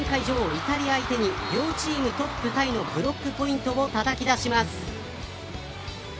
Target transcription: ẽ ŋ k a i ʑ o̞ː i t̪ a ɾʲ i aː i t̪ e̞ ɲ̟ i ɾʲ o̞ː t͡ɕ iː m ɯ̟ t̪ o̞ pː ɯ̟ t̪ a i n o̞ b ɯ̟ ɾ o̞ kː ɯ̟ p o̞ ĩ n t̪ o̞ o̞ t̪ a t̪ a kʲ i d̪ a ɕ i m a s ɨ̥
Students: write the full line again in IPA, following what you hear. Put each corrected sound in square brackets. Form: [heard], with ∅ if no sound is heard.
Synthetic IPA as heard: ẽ ŋ k a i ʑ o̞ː i t̪ a ɾʲ i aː i t̪ e̞ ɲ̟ i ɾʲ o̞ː t͡ɕ iː m ɯ̟ t̪ o̞ pː ɯ̟ t̪ a i n o̞ b ɯ̟ ɾ o̞ kː ɯ̟ p o̞ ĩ n t̪ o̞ o̞ t̪ a t̪ a kʲ i d̪ a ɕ i m a s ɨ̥